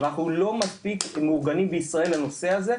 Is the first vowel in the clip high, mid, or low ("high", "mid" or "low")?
low